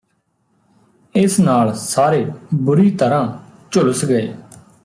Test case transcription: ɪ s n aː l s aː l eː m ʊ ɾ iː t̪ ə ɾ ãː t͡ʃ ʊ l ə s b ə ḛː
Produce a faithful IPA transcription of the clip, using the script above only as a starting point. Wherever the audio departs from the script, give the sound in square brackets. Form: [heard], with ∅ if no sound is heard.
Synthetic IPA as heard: ɪ s n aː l s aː [ɾ] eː [b] ʊ ɾ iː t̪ ə ɾ ãː t͡ʃ ʊ l ə s [ɡ] ə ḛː